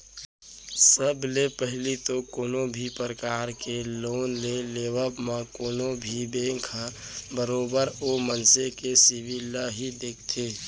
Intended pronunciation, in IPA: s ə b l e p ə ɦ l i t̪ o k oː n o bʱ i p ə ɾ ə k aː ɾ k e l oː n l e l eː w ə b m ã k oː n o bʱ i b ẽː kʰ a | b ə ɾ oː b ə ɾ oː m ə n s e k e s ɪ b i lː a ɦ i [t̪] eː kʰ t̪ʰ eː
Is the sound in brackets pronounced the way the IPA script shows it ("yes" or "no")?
no